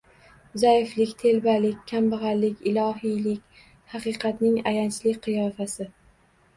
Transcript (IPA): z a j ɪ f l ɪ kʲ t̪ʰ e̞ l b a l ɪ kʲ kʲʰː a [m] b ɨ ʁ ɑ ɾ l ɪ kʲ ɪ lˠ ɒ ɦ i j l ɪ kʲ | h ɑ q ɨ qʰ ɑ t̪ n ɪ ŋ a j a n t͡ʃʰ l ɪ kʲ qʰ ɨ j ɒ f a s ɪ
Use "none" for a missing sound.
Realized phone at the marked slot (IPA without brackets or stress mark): m